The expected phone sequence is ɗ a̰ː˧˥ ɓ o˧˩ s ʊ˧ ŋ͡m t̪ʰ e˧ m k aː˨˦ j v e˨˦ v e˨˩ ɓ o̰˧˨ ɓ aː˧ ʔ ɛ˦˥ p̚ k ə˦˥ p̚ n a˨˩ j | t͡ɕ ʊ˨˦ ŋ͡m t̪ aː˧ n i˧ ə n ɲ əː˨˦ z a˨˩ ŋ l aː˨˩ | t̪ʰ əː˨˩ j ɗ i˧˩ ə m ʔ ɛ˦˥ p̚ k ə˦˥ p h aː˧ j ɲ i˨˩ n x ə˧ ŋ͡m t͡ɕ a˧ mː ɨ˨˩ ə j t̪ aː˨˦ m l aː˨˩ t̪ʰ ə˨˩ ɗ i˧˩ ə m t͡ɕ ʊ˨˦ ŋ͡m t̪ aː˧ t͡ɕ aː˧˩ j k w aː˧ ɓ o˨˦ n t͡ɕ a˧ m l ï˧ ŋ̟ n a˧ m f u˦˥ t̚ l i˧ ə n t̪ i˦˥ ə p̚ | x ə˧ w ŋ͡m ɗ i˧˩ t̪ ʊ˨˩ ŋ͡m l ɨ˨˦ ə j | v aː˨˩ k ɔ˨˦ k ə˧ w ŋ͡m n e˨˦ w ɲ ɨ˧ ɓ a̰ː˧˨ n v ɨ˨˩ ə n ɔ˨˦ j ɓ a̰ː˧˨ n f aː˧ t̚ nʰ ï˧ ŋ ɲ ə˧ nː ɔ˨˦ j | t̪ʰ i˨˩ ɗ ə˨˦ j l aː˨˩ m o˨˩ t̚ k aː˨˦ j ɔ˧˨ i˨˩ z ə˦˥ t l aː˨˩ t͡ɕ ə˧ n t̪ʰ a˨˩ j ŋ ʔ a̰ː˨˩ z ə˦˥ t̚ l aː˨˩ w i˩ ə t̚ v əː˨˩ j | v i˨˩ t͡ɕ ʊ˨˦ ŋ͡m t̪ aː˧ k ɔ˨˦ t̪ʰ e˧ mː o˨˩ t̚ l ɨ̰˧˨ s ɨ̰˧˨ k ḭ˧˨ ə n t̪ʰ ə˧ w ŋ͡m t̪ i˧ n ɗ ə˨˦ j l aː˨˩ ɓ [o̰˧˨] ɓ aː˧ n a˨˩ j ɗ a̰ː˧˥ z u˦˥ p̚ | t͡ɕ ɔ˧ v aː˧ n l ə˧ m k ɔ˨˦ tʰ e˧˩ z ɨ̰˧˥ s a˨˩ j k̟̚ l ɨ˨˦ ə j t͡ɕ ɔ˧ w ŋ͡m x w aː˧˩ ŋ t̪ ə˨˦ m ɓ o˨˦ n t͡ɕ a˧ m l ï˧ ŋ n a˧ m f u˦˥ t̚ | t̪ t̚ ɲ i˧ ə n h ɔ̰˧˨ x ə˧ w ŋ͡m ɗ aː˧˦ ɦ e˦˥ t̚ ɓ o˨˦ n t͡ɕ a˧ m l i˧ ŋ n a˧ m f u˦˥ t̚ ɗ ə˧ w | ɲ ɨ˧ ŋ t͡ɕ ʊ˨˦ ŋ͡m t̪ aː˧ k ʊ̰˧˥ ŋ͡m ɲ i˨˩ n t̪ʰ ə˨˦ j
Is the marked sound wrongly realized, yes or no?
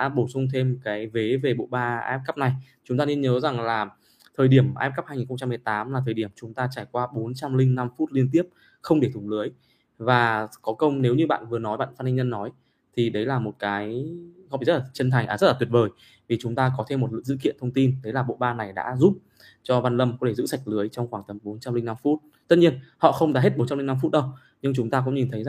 no